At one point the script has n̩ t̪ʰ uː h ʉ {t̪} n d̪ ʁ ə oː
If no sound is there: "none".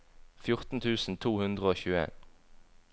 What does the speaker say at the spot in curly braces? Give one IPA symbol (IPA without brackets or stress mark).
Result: none